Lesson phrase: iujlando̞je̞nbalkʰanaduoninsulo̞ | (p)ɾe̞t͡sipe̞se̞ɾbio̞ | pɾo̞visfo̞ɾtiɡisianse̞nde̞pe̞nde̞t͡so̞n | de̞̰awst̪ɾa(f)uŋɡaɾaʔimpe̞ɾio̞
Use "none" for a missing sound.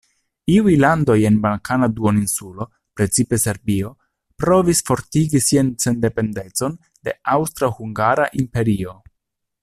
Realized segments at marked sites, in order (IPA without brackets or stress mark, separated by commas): p, h